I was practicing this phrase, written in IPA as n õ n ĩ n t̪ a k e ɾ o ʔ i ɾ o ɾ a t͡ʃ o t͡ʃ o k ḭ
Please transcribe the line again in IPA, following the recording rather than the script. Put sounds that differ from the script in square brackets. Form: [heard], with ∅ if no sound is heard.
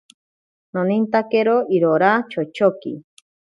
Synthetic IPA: n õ n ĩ n t̪ a k e ɾ o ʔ i ɾ o ɾ a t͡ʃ o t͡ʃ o k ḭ